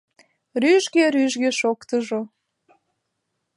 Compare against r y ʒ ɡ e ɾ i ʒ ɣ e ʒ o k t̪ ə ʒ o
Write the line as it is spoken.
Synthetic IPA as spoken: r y ʒ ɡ e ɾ y ʒ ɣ e ʃ o k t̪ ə ʒ o

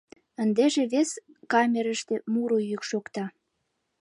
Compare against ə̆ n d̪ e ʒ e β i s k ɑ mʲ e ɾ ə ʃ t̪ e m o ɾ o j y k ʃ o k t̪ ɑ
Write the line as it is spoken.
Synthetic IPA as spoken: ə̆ n d̪ e ʒ e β e s k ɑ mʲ e ɾ ə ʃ t̪ e m u ɾ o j y k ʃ o k t̪ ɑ

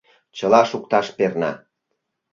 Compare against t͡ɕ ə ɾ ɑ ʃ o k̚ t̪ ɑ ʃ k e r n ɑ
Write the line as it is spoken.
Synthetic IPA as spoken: t͡ɕ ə l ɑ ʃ u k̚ t̪ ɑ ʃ p e r n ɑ

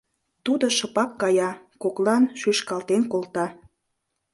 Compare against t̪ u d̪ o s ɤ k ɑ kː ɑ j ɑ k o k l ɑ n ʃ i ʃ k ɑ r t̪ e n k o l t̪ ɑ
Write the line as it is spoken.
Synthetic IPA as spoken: t̪ u d̪ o ʃ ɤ p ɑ kː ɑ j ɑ k o k l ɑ n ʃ y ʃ k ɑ l t̪ e n k o l t̪ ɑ

